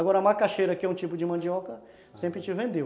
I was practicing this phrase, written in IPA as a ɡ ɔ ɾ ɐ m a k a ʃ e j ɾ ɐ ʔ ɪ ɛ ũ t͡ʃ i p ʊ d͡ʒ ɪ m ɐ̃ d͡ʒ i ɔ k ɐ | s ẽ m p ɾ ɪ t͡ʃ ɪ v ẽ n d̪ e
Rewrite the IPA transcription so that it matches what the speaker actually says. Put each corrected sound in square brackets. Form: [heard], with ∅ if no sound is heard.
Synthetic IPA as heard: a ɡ ɔ ɾ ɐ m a k a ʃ e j ɾ ɐ [k] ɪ ɛ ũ t͡ʃ i p ʊ d͡ʒ ɪ m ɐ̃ d͡ʒ i ɔ k ɐ | s ẽ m p ɾ ɪ t͡ʃ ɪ v ẽ n d̪ e